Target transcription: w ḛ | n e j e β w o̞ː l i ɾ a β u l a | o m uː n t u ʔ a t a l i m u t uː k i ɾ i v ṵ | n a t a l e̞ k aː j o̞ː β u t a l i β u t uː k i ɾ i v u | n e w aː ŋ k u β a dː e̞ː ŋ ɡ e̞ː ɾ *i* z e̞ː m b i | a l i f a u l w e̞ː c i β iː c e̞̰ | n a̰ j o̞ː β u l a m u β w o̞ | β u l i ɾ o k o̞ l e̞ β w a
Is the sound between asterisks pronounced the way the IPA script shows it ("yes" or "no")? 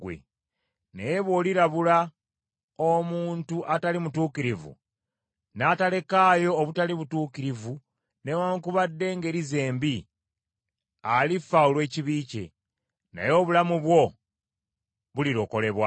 yes